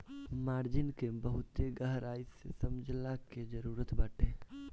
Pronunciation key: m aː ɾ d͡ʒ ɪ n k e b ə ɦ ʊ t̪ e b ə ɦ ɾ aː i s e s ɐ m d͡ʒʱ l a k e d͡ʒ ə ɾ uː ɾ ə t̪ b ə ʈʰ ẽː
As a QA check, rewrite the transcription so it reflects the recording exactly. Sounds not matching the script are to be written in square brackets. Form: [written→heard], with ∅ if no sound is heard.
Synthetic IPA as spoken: m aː ɾ d͡ʒ ɪ n k e b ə ɦ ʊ t̪ e [b→ɡ] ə ɦ ɾ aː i s e s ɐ m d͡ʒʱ l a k e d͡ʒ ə ɾ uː ɾ ə t̪ b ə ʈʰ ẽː